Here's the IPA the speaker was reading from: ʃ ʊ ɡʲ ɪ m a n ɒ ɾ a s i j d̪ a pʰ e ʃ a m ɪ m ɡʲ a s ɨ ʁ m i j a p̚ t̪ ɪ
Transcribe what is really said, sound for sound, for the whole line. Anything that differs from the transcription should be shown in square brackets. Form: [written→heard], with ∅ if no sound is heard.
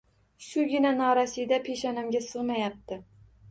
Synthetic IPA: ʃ ʊ ɡʲ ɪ [m→n] a n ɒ ɾ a s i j d̪ a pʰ e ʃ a [m→n] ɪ m ɡʲ a s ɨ ʁ m [i→a] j a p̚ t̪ ɪ